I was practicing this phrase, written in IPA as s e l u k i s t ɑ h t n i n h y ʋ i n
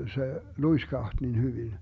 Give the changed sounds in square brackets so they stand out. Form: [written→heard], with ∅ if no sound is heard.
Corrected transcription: s e l u [k→∅] i s [t→k] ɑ h t n i n h y ʋ i n